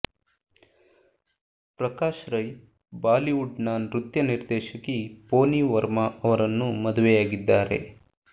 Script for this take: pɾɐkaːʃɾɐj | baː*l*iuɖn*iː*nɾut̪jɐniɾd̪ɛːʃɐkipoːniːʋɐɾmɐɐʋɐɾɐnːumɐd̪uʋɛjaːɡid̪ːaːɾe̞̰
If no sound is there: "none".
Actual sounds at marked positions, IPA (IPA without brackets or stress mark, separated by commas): l, aː